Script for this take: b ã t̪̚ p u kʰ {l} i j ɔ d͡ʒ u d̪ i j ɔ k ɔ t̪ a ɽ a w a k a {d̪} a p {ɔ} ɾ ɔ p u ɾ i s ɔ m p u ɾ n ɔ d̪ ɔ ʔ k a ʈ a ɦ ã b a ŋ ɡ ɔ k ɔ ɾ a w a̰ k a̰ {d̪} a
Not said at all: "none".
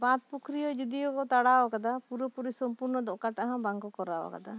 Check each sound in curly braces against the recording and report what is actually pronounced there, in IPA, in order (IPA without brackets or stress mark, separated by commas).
ɾ, d̪, u, d̪